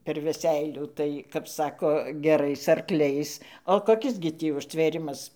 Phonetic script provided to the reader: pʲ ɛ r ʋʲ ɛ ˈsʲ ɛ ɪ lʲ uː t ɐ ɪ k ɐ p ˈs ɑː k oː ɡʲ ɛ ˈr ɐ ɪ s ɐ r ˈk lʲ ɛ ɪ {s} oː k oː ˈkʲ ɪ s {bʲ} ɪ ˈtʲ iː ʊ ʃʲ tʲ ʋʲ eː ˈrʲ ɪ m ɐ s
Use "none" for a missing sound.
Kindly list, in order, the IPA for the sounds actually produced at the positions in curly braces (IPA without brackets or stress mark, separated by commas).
s, ɡʲ